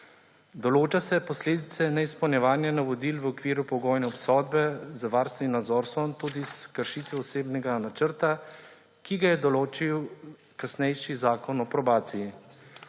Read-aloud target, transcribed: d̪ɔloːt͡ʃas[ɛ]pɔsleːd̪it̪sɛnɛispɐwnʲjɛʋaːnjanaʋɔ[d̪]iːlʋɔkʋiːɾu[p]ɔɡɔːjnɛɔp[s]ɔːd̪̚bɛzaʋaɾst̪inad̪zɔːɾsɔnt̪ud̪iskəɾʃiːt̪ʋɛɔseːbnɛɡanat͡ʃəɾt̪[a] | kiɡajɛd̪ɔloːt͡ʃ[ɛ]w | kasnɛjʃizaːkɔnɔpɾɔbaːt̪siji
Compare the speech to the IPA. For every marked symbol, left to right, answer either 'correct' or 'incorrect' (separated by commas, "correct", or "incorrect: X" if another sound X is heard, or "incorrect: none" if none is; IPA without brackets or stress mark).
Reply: correct, correct, correct, correct, correct, incorrect: i